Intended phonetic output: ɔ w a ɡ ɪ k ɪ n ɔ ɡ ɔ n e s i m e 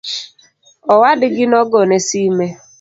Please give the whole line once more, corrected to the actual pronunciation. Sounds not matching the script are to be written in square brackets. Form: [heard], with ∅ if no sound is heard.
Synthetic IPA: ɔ w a [d] ɪ [ɡ] ɪ n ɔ ɡ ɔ n e s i m e